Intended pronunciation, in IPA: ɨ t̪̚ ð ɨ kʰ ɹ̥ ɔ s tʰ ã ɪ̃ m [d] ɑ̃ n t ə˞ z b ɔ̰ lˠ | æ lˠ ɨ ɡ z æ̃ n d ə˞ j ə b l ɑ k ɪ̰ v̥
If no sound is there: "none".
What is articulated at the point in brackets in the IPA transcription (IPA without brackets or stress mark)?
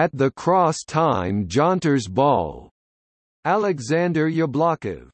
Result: d͡ʒ